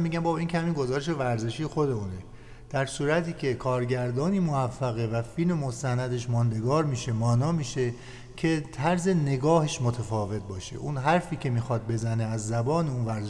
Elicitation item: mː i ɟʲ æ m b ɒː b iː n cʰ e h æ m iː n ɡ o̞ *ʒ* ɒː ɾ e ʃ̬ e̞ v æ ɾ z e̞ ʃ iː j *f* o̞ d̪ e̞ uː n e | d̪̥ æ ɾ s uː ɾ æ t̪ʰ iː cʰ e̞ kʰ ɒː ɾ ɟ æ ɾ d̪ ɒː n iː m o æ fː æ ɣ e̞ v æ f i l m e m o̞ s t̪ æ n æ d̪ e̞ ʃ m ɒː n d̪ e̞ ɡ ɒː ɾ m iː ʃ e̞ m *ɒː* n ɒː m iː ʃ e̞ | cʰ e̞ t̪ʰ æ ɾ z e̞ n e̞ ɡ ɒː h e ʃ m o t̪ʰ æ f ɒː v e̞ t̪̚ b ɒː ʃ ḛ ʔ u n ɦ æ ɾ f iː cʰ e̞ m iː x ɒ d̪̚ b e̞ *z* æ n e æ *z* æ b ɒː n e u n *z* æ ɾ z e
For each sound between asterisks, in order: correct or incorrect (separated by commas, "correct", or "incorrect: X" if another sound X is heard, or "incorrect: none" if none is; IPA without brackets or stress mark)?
incorrect: z, incorrect: x, correct, correct, incorrect: zː, incorrect: v